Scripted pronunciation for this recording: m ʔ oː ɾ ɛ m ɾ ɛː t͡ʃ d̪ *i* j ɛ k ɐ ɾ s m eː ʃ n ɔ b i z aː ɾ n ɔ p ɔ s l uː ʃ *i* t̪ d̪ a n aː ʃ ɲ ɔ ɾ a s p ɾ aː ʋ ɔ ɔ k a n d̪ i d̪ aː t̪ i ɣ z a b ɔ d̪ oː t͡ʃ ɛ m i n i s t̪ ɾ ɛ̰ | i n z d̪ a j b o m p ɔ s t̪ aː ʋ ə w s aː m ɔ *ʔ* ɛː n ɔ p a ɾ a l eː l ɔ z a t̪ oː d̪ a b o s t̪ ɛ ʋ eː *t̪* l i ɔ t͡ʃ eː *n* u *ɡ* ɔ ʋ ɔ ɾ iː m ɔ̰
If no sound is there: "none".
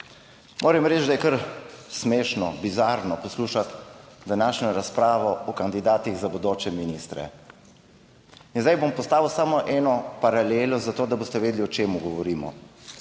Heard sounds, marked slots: a, a, ʔ, d̪, m, ɡ

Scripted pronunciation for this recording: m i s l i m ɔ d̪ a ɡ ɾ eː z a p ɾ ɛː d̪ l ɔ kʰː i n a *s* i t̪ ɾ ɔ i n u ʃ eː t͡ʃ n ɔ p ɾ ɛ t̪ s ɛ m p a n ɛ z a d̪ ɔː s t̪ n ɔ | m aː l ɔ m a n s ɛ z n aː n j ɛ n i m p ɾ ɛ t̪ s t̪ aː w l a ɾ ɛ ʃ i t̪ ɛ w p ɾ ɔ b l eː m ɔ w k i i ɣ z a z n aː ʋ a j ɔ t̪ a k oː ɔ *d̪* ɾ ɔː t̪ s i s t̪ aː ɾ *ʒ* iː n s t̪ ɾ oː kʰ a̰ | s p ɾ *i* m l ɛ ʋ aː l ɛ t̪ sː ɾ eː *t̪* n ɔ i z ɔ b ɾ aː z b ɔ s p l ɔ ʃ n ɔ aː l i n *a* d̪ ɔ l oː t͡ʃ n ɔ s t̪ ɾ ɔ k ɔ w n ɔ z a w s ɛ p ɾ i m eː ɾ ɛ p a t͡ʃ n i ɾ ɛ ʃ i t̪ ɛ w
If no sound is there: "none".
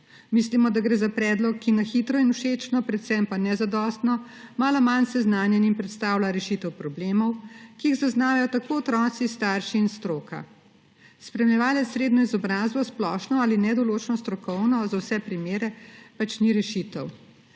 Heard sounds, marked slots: x, t̪, ʃ, ɛ, d̪, ɛ

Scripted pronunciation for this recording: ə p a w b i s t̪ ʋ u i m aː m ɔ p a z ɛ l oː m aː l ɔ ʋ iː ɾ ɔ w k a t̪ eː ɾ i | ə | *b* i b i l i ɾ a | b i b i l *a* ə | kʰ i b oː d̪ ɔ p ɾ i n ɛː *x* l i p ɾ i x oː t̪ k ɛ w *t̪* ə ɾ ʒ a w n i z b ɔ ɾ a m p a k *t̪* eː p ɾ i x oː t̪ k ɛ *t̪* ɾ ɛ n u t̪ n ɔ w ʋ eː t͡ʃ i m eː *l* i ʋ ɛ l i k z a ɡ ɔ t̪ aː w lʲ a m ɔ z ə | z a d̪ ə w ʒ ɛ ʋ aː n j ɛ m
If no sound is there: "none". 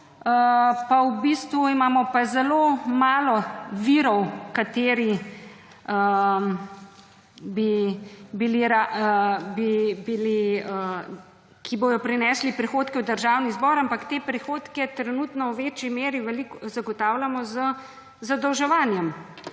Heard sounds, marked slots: b, i, s, d̪, t̪, t̪, ɾ

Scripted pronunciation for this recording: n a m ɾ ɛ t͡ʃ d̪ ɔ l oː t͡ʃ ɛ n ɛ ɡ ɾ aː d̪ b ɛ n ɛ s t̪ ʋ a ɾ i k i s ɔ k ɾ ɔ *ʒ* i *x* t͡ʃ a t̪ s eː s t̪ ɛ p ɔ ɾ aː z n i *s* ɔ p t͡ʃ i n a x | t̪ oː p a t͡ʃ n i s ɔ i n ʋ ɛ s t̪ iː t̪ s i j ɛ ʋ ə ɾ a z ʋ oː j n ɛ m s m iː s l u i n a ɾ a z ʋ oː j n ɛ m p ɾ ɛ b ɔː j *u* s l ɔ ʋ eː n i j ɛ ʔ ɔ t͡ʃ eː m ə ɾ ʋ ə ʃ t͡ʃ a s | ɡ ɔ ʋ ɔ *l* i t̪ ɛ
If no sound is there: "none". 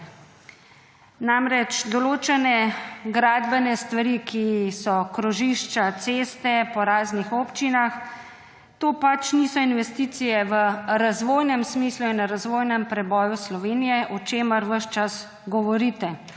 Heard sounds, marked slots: ʒ, ʃ, x, u, ɾ

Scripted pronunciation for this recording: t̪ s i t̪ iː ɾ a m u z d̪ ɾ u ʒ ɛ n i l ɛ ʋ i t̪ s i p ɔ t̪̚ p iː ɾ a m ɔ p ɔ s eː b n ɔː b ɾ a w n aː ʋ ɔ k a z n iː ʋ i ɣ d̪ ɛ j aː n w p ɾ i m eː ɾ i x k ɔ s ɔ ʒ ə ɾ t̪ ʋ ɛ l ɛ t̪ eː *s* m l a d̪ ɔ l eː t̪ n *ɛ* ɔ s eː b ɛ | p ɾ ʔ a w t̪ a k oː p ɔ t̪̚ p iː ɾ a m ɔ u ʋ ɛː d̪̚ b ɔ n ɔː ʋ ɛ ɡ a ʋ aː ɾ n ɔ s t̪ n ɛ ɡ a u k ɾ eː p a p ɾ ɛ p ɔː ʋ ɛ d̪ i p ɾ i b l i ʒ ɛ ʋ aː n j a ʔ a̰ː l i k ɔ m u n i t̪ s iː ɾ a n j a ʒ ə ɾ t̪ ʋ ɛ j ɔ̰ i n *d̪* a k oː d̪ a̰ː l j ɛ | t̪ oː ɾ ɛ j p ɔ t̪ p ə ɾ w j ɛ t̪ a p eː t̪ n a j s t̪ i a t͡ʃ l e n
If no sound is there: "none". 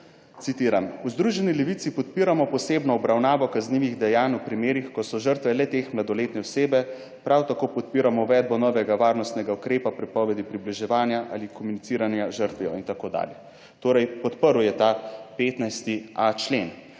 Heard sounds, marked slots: x, ɛ, t̪

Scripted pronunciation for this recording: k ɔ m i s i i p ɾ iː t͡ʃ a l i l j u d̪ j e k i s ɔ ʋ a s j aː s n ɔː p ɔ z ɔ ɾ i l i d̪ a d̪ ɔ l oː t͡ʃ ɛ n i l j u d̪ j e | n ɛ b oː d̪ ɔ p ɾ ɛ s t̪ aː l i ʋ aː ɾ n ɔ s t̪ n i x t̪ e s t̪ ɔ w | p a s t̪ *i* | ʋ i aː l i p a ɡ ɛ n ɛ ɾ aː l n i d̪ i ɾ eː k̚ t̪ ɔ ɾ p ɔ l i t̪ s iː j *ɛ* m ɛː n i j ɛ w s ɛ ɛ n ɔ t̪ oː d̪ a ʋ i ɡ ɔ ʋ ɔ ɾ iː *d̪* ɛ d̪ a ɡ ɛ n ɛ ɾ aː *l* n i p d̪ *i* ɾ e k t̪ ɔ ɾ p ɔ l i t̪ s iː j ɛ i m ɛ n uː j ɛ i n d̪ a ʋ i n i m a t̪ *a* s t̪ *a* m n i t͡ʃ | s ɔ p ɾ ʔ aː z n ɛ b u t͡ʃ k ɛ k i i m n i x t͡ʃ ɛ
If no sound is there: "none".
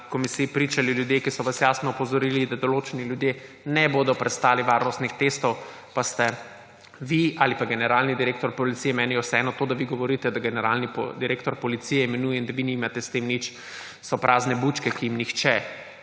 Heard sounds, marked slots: ɛ, ɛ, t̪, l, i, ɛ, e

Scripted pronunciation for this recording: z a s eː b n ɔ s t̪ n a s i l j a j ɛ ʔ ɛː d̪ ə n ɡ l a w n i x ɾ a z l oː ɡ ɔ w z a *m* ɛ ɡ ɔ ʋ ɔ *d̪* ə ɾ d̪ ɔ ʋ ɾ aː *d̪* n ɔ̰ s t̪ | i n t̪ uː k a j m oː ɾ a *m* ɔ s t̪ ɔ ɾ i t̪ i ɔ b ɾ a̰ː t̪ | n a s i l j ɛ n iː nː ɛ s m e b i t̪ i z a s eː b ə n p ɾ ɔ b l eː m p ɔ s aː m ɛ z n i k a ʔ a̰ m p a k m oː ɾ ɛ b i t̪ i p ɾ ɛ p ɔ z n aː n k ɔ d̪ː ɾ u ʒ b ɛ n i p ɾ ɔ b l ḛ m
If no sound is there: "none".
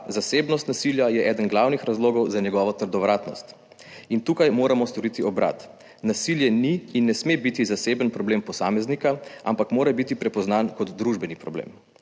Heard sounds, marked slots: ɲ, t̪, t̪, m

